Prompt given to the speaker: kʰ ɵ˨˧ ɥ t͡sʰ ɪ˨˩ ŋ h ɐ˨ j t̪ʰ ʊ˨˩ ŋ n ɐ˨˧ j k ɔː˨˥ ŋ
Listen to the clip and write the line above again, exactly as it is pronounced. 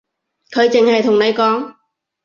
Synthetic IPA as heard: kʰ ɵ˨˧ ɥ t͡s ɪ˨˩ ŋ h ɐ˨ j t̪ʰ ʊ˨˩ ŋ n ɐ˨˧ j k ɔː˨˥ ŋ